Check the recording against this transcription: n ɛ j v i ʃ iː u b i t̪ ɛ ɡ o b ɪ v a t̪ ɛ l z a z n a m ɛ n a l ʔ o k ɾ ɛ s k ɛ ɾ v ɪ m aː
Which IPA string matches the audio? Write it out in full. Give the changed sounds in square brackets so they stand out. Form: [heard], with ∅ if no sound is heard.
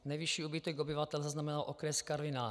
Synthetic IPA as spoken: n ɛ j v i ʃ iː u b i t̪ ɛ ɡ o b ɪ v a t̪ ɛ l z a z n a m ɛ n a l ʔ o k ɾ ɛ s k [a] ɾ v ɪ [n] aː